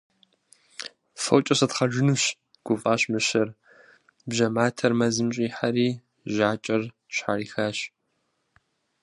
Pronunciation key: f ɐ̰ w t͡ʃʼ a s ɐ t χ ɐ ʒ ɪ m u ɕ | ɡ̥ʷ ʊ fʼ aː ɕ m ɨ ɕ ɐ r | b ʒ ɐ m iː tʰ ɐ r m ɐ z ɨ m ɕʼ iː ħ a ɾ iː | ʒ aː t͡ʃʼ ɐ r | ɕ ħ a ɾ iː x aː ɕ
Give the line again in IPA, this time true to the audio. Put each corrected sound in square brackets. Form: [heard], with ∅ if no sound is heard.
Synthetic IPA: f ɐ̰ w t͡ʃʼ [ɐ] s ɐ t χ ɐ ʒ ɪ [n] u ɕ | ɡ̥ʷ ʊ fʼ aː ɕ m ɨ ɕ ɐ r | b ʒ ɐ m [aː] tʰ ɐ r m ɐ z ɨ m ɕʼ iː ħ a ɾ iː | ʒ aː t͡ʃʼ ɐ r | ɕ ħ a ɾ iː x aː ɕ